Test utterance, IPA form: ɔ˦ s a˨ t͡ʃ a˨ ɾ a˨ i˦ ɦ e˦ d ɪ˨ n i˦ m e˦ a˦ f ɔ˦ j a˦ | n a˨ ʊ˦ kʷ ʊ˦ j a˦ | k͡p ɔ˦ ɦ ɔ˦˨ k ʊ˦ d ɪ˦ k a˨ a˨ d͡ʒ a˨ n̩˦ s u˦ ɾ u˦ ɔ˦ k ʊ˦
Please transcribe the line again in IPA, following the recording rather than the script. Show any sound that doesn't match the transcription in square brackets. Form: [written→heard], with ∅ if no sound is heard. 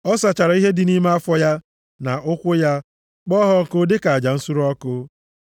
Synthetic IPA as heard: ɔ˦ s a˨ t͡ʃ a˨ ɾ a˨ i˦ ɦ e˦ d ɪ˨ n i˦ m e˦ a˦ f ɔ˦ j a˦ | n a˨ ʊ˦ kʷ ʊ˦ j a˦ | k͡p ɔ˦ ɦ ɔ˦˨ k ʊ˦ d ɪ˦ k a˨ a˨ d͡ʒ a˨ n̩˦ s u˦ ɾ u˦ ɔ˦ k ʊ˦